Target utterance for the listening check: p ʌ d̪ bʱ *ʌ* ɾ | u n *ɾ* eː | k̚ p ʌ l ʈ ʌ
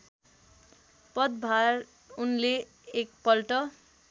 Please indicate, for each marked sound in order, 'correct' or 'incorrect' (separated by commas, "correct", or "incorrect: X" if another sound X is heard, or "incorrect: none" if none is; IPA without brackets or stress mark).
incorrect: a, incorrect: l